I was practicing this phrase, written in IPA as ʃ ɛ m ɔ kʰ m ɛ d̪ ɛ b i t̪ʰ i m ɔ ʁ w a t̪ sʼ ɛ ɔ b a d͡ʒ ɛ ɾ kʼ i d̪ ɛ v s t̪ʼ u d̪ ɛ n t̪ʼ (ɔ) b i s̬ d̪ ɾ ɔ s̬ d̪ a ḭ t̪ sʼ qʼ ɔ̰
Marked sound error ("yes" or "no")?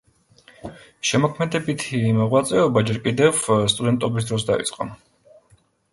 no